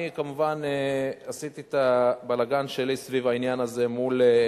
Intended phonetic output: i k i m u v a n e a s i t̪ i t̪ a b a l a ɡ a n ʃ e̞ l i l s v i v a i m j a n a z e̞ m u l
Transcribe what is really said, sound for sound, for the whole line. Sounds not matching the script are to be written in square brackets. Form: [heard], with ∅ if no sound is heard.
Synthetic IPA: i k [a] m u v a n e a s i t̪ i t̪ a b a l a ɡ a n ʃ e̞ l i [∅] s v i v a i [n] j a n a z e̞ m u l